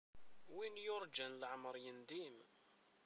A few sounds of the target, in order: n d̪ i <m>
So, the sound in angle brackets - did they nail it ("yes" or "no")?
yes